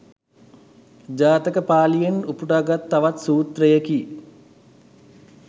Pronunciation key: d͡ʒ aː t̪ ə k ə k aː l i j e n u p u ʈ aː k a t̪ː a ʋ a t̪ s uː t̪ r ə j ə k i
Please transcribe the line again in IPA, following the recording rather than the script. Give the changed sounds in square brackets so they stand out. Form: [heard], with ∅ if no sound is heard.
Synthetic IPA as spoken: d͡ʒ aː t̪ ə k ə [p] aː l i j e n u p u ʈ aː [ɡ] a t̪ː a ʋ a t̪ s uː t̪ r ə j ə k i